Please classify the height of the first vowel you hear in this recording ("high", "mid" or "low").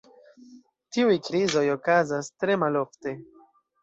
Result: high